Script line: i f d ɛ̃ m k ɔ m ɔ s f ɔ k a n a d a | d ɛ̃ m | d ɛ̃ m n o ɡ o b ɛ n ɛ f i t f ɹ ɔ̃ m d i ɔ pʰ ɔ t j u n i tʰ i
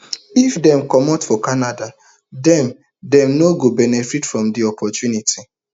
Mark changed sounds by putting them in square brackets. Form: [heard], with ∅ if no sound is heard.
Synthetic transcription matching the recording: i f d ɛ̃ m k ɔ m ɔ [t] f ɔ k a n a d a | d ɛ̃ m | d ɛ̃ m n o ɡ o b ɛ n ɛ f i t f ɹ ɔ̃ m d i ɔ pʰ ɔ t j u n i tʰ i